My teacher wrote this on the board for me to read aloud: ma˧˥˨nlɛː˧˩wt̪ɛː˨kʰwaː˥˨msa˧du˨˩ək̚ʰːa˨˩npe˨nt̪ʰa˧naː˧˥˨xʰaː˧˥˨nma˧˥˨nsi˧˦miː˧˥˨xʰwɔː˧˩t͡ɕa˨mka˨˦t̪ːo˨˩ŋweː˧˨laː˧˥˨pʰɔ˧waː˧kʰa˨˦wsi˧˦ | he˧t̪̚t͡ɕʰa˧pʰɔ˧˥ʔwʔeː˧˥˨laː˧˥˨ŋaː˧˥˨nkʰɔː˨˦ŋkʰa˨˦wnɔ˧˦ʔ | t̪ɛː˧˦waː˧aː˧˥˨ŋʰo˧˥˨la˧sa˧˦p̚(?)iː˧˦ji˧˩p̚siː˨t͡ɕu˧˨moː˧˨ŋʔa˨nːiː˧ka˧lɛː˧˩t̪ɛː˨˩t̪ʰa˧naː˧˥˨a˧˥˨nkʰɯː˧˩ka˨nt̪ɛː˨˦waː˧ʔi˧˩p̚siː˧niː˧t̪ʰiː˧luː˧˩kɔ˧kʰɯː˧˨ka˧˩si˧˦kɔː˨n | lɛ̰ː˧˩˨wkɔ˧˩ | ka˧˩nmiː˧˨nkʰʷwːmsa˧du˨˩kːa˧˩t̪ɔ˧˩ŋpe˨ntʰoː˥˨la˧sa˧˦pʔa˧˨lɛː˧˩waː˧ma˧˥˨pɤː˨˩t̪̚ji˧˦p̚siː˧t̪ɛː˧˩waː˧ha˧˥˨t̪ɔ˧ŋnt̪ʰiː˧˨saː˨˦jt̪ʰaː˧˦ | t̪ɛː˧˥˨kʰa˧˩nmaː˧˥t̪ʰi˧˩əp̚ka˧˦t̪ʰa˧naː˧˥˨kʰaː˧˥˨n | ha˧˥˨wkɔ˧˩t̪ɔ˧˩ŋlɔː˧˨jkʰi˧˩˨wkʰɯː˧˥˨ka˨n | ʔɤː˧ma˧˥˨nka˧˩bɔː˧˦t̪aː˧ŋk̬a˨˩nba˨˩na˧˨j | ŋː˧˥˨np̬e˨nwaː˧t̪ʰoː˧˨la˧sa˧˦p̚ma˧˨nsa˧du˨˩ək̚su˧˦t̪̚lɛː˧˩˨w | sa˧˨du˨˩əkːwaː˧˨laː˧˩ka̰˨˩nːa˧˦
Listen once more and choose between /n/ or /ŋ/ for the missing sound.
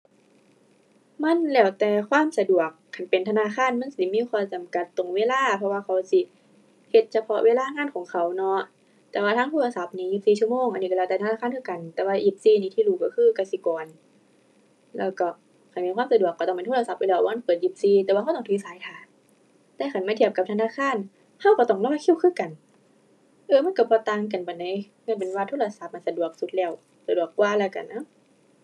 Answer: n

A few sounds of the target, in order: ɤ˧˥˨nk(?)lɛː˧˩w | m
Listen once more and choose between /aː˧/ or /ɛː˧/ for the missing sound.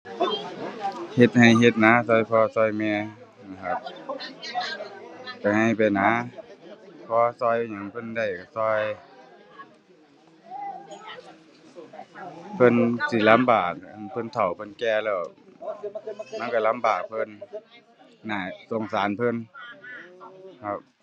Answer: ɛː˧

